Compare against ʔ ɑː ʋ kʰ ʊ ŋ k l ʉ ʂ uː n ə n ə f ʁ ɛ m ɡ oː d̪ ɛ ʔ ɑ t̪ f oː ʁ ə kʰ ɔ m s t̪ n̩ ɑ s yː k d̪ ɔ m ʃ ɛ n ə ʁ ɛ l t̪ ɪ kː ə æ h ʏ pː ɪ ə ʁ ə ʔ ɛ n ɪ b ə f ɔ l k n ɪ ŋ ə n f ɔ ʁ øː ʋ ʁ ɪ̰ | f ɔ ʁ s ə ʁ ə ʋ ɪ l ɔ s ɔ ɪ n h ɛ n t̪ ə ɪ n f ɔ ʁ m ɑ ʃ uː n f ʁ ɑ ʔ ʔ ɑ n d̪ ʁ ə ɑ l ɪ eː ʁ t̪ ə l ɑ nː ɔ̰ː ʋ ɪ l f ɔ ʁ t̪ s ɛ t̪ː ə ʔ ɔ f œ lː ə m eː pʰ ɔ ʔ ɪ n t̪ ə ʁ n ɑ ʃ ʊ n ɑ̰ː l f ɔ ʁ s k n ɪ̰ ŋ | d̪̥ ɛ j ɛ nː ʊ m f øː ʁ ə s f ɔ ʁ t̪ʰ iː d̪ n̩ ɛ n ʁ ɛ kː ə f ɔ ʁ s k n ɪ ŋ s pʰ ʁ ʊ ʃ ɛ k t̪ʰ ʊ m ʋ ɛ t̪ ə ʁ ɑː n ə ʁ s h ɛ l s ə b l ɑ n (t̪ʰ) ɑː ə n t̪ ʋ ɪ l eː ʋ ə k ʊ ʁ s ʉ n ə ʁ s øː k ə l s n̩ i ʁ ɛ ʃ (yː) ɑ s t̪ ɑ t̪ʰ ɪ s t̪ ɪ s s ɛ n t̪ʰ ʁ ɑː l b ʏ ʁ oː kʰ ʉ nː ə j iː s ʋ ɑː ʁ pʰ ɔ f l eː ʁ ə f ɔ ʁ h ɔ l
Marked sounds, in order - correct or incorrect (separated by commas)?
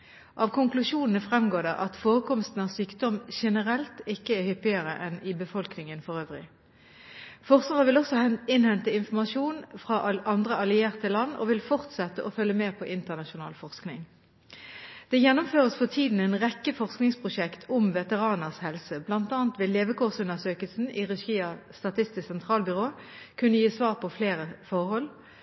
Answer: incorrect, incorrect